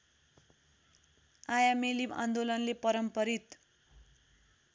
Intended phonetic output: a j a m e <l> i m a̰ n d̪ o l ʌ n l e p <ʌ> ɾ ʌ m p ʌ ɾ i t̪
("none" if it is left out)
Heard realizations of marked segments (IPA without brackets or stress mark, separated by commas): l, ʌ